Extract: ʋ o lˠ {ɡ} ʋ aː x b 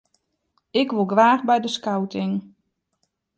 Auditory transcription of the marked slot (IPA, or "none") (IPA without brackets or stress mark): ɡ